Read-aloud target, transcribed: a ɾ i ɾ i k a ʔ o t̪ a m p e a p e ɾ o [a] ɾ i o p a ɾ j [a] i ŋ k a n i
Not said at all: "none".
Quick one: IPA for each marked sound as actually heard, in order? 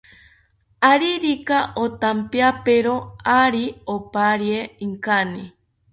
a, e

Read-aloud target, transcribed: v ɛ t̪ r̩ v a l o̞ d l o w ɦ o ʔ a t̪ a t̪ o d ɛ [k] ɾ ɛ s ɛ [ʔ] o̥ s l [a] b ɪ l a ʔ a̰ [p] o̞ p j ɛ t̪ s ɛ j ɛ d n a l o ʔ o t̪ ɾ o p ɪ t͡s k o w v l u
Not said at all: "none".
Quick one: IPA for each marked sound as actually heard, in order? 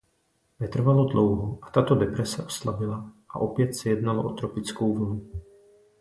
p, ʔ, a, ʔ

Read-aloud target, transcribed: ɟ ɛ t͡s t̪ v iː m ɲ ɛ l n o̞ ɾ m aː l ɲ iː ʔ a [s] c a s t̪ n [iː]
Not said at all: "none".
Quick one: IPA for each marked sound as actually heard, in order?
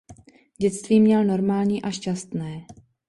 ʃ, ɛː

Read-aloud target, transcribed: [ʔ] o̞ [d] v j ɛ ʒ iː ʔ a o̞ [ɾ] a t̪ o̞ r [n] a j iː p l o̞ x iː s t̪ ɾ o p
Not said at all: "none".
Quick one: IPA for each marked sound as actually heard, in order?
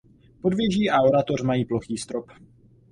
p, d, ɾ, m

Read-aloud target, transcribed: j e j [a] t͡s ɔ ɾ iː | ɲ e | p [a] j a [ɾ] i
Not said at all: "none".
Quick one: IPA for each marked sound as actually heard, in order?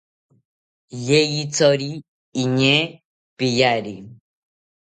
i, i, ɾ

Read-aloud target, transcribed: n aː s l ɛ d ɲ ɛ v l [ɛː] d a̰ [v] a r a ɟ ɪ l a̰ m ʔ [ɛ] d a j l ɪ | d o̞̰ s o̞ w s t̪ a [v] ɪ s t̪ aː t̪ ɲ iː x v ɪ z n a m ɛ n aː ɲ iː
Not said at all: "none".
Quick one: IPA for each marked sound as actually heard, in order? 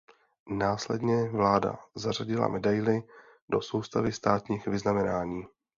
aː, z, ɛ, v

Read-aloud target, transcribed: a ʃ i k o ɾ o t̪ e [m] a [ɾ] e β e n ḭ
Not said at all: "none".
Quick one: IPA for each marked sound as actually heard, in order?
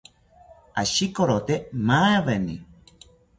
m, none

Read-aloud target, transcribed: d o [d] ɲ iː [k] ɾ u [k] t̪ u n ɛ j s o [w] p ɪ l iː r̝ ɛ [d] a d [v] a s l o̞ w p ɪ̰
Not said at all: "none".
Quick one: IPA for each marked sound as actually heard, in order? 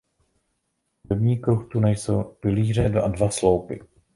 b, k, x, w, d, v

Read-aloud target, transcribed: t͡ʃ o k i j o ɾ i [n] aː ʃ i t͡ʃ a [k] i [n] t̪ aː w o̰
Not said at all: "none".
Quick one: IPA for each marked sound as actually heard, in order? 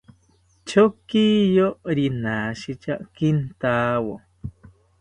n, k, n

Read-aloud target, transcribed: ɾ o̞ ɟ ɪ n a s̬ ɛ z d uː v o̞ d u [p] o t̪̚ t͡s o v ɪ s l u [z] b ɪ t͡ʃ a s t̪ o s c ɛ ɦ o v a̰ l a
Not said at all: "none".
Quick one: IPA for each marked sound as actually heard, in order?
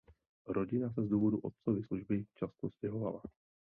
ʔ, ʒ

